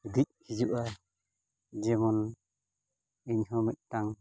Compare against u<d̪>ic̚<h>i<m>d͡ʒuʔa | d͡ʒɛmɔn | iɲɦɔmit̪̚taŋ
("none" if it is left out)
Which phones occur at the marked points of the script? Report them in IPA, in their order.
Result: d̪, h, none

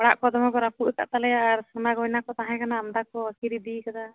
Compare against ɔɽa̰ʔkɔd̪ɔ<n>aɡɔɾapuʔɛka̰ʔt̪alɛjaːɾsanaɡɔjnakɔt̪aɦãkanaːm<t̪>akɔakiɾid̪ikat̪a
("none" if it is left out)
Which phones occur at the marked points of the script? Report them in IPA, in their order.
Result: m, d̪

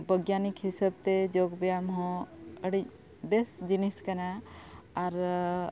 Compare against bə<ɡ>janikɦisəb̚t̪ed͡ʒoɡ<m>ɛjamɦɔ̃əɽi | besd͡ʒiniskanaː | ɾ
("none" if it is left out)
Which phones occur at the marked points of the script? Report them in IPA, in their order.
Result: ɡ, b

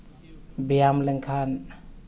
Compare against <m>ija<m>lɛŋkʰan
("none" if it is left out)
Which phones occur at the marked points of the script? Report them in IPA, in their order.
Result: b, m

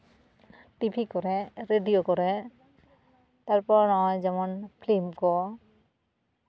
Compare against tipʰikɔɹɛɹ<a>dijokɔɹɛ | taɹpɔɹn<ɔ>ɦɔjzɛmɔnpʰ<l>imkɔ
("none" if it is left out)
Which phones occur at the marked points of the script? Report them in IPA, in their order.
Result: e, ɔ, l

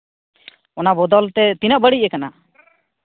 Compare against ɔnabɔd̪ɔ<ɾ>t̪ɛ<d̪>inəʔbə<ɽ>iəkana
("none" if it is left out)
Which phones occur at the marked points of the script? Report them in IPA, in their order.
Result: l, t̪, ɽ

